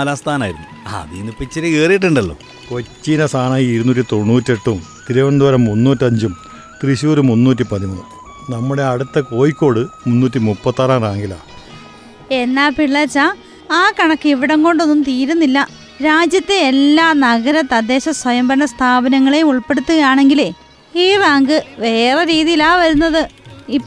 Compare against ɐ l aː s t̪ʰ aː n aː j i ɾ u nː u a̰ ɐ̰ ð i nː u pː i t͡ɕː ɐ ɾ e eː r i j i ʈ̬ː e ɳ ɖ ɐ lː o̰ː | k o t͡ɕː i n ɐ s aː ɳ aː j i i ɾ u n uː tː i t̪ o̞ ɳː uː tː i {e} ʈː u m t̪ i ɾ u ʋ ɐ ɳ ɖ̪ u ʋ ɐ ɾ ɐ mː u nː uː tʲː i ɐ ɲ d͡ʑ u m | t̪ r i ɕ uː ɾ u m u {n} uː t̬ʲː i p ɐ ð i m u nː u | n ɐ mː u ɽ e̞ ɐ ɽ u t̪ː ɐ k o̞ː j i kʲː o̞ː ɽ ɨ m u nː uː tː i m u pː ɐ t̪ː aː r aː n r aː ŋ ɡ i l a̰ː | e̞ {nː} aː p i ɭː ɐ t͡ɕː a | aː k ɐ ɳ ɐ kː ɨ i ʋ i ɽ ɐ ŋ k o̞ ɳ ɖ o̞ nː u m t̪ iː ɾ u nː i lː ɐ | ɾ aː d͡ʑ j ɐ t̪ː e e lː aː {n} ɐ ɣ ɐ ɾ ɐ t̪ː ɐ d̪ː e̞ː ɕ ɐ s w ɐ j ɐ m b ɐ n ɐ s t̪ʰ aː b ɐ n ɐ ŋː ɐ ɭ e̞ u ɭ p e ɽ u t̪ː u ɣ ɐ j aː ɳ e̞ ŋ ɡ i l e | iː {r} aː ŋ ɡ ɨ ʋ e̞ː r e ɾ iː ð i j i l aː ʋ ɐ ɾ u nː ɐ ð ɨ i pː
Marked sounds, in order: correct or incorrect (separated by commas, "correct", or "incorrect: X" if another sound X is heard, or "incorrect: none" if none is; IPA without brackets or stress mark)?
correct, incorrect: nː, correct, correct, correct